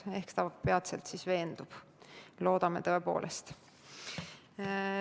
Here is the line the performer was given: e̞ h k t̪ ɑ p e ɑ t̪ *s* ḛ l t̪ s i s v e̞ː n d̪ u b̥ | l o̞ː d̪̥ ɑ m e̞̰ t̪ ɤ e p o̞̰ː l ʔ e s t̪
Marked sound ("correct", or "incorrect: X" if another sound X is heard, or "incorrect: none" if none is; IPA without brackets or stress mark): correct